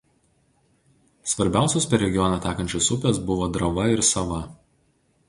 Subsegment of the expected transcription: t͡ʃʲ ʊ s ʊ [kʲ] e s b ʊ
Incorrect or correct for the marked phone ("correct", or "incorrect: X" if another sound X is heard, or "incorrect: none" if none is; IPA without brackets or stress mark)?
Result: incorrect: pʲ